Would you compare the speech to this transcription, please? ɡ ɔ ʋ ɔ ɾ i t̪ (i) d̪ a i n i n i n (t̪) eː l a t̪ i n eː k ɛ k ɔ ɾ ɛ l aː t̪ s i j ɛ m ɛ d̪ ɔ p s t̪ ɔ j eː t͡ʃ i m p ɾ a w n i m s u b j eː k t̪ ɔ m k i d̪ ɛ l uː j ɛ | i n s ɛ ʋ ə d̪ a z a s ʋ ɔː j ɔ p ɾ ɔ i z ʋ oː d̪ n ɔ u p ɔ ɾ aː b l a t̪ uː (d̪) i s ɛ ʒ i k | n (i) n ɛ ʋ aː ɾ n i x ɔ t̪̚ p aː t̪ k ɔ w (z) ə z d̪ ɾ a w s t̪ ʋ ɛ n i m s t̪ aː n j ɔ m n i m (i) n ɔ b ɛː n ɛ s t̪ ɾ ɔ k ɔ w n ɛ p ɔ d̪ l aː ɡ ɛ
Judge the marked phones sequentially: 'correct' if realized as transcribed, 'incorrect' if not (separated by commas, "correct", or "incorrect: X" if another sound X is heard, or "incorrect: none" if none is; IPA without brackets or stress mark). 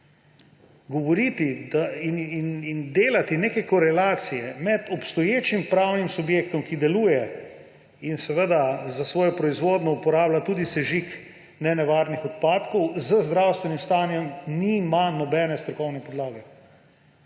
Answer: correct, incorrect: d̪, correct, incorrect: ɛ, correct, incorrect: a